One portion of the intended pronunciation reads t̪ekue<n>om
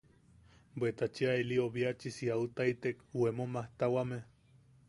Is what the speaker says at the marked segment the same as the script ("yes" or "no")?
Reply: no